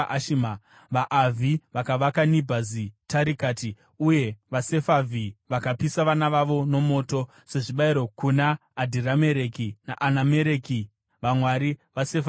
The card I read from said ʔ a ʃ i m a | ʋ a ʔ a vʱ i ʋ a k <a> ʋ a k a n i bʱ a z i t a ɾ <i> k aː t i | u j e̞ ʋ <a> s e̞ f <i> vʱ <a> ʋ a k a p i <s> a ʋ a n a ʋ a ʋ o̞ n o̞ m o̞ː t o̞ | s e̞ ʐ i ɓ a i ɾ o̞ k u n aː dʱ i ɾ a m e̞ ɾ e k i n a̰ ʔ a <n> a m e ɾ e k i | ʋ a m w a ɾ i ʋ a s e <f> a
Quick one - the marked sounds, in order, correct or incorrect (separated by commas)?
correct, correct, correct, incorrect, incorrect, correct, correct, correct